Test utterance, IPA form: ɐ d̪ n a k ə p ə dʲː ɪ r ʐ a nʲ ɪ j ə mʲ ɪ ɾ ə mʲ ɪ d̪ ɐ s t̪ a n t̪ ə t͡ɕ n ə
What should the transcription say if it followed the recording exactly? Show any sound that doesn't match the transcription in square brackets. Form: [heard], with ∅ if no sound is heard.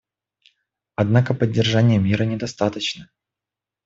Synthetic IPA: ɐ d̪ n a k ə p ə dʲː ɪ r ʐ a nʲ ɪ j ə mʲ [i] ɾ ə [nʲ] ɪ d̪ ɐ s t̪ a [∅] t̪ ə t͡ɕ n ə